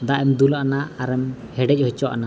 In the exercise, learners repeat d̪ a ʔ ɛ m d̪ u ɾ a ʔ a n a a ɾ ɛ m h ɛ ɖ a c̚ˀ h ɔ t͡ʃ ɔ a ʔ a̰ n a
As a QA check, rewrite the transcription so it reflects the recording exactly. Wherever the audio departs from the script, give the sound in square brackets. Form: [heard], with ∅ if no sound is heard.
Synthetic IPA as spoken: d̪ a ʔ ɛ m d̪ u [l] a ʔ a n a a ɾ ɛ m h ɛ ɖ [ɛ] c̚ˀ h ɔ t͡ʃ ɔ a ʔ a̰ n a